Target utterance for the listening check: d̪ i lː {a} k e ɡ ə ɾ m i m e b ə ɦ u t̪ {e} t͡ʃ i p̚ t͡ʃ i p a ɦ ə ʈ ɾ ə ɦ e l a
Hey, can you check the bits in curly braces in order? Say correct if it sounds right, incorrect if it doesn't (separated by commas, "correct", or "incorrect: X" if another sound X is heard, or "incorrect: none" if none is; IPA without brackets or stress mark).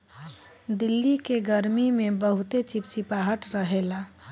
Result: incorrect: i, correct